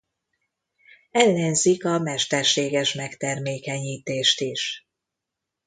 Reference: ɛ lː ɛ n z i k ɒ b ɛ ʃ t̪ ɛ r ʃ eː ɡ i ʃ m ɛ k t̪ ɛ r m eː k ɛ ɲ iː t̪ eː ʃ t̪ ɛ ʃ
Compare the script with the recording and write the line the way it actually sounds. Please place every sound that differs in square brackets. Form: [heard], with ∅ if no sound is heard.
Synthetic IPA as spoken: ɛ lː ɛ n z i k ɒ [m] ɛ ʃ t̪ ɛ r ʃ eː ɡ [ɛ] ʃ m ɛ k t̪ ɛ r m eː k ɛ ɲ iː t̪ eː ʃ t̪ [i] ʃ